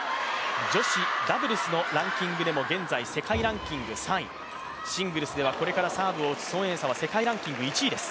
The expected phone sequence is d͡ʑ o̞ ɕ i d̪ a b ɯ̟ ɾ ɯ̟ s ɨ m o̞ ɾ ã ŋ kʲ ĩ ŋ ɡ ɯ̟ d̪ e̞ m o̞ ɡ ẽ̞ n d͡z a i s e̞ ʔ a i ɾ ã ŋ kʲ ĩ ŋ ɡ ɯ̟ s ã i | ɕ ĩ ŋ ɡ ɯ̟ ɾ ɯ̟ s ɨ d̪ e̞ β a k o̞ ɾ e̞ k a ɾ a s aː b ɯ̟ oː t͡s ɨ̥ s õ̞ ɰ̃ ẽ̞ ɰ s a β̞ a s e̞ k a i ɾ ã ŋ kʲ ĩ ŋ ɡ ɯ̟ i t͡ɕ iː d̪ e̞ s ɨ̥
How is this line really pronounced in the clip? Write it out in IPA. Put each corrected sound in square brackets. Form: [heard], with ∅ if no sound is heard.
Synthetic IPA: d͡ʑ o̞ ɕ i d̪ a b ɯ̟ ɾ ɯ̟ s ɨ [n] o̞ ɾ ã ŋ kʲ ĩ ŋ ɡ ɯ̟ d̪ e̞ m o̞ ɡ ẽ̞ n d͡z a i s e̞ [k] a i ɾ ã ŋ kʲ ĩ ŋ ɡ ɯ̟ s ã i | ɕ ĩ ŋ ɡ ɯ̟ ɾ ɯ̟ s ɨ d̪ e̞ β a k o̞ ɾ e̞ k a ɾ a s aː b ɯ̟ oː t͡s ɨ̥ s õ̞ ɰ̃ ẽ̞ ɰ s a β̞ a s e̞ k a i ɾ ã ŋ kʲ ĩ ŋ ɡ ɯ̟ i t͡ɕ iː d̪ e̞ s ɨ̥